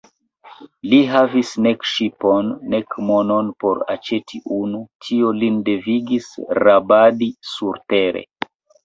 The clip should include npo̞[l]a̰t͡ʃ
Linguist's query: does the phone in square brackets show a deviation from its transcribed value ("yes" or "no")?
yes